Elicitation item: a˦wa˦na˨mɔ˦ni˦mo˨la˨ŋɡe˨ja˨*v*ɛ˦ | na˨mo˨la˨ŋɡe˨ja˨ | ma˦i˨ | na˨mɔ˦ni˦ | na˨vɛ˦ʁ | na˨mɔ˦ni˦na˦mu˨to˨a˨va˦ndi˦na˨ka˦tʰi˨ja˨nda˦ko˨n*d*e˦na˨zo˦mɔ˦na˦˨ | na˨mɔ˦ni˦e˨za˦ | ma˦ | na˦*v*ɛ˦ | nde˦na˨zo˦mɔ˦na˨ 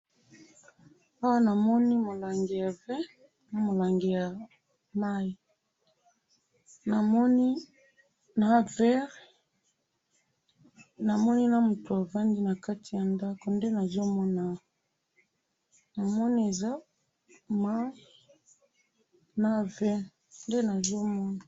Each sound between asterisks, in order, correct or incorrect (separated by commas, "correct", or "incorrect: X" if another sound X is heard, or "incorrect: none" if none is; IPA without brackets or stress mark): correct, correct, correct